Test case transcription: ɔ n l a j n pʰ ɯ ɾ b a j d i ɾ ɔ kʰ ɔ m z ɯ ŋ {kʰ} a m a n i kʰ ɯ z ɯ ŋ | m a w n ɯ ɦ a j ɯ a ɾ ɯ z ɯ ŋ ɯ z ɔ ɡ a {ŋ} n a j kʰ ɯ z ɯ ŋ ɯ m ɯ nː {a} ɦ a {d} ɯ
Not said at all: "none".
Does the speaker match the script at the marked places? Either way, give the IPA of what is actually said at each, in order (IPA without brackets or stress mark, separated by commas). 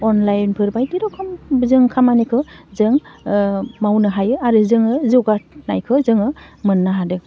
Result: kʰ, none, a, d